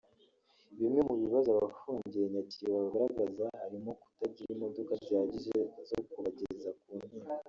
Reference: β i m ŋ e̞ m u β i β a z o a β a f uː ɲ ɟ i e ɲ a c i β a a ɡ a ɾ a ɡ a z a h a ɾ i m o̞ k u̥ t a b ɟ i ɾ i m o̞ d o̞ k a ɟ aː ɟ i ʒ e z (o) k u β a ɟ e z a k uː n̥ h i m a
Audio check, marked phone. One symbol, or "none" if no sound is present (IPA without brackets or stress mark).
o